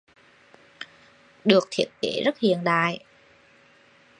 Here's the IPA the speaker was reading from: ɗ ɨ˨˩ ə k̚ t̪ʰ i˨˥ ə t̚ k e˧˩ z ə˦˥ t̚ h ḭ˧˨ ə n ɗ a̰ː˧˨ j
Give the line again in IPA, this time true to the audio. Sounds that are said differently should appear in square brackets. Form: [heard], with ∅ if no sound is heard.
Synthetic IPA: ɗ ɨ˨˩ ə k̚ t̪ʰ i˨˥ ə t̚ k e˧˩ z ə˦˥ t̚ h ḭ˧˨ ə n ɗ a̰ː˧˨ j